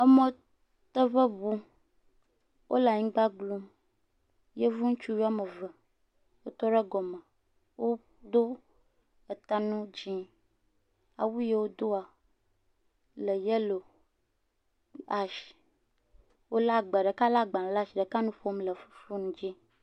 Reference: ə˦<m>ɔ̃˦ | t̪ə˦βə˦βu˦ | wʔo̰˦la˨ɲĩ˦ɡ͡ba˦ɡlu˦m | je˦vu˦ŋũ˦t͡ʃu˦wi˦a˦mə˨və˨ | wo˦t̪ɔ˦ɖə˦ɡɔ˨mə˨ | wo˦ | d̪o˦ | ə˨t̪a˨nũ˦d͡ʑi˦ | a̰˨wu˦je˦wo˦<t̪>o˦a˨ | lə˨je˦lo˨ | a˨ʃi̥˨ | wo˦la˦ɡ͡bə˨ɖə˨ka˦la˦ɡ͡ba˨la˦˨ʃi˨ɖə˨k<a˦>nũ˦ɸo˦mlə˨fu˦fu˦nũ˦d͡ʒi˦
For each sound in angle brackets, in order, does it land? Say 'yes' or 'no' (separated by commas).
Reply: yes, no, yes